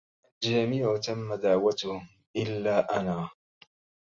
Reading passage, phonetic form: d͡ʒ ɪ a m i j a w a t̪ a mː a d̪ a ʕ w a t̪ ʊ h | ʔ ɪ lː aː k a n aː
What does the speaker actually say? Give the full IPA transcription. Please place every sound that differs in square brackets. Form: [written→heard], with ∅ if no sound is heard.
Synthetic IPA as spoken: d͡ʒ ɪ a m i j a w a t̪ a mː a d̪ a ʕ w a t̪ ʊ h | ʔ ɪ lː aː [k→ʔ] a n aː